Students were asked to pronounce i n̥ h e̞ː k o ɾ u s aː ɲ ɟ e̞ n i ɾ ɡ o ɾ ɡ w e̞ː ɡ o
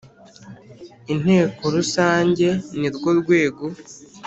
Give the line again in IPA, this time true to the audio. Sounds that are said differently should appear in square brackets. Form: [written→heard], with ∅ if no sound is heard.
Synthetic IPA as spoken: i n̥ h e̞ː k o ɾ u s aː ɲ ɟ e̞ n i ɾ ɡ o ɾ ɡ w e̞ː ɡ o